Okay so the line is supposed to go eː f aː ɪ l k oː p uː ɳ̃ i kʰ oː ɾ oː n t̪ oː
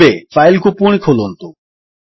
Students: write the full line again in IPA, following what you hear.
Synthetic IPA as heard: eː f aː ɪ l k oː p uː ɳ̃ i kʰ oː l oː n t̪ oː